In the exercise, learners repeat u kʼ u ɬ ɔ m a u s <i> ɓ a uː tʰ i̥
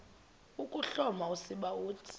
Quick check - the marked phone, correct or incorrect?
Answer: correct